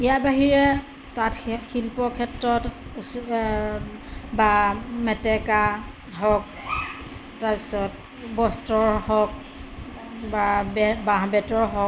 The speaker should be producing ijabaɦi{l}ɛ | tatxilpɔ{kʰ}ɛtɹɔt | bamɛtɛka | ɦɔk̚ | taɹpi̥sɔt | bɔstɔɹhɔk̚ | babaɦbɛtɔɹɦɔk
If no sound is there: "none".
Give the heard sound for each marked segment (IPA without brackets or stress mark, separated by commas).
ɹ, kʰ